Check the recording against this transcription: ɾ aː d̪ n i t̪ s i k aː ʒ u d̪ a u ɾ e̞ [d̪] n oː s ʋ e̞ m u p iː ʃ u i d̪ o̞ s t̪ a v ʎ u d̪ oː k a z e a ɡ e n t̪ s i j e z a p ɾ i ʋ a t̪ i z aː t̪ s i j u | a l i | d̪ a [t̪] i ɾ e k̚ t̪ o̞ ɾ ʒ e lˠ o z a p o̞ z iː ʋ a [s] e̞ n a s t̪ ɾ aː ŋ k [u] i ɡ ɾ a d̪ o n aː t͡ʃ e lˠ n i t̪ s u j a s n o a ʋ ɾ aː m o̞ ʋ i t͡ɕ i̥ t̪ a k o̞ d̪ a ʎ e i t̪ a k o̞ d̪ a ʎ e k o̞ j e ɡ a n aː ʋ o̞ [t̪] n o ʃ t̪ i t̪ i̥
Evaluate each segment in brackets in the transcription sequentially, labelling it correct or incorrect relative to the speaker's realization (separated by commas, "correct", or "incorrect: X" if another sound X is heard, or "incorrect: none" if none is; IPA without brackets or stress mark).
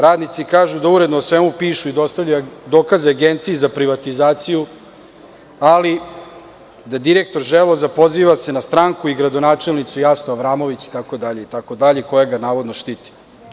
correct, incorrect: d̪, correct, correct, incorrect: d̪